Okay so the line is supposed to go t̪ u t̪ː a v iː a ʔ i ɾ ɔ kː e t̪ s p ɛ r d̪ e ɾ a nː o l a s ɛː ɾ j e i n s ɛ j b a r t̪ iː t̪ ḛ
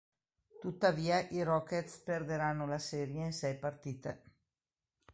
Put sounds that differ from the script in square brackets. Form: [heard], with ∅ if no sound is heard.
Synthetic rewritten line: t̪ u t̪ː a v iː a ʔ i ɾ ɔ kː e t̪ s p [e] r d̪ e ɾ a nː o l a s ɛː ɾ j e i n s ɛ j [p] a r t̪ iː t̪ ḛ